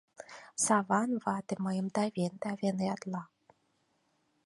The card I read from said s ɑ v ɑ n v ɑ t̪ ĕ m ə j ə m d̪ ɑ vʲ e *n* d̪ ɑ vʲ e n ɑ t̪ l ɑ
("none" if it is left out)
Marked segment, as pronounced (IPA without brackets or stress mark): n